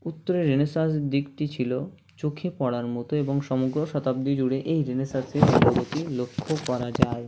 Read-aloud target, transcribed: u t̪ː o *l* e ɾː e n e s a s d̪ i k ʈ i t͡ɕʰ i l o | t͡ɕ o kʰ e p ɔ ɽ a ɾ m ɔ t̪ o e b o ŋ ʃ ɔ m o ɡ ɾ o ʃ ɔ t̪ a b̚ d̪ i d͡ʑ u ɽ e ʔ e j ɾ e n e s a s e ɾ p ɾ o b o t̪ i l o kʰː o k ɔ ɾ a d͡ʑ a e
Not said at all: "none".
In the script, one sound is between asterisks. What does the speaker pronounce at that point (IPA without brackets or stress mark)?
ɾ